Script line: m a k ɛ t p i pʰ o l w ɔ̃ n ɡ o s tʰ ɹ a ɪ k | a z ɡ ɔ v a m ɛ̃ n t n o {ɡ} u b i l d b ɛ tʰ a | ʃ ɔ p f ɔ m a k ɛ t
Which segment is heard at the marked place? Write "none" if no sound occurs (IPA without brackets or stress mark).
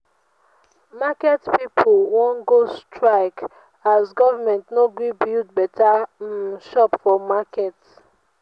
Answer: ɡ